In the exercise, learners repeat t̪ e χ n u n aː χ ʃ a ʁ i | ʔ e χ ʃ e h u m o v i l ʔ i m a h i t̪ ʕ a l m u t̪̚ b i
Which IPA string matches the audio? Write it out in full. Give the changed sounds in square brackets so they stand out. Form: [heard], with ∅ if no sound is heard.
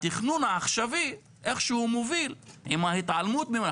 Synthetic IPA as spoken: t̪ [i] χ n u n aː χ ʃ a [v] i | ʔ e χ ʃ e h u m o v i l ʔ i m a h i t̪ ʕ a l m u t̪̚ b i